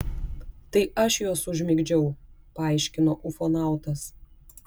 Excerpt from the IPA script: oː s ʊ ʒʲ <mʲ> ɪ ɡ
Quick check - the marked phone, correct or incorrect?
correct